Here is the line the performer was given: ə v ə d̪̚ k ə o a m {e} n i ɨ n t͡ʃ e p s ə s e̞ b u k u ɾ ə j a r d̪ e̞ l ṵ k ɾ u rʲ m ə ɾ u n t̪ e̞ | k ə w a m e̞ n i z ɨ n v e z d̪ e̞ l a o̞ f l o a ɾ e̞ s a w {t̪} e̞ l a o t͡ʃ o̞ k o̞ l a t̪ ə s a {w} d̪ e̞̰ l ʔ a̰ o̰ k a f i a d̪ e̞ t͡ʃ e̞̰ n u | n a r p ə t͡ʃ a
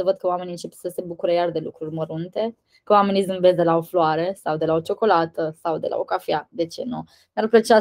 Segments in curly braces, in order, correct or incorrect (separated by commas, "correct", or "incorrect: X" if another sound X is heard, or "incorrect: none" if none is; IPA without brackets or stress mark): correct, incorrect: d̪, correct